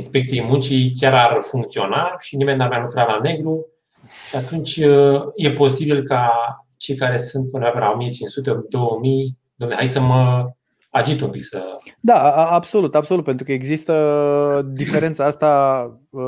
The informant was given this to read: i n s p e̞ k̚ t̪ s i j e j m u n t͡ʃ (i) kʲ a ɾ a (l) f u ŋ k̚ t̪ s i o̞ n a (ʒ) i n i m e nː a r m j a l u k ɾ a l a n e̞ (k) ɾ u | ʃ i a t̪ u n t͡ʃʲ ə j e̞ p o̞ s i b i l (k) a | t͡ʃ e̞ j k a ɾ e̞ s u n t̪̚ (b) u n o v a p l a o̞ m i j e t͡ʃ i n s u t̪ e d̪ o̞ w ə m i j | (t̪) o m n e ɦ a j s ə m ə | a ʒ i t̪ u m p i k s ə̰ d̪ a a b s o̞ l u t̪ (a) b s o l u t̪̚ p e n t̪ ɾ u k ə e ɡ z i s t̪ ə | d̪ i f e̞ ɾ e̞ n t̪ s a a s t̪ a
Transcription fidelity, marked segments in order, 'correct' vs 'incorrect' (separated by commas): correct, incorrect, incorrect, incorrect, correct, incorrect, incorrect, correct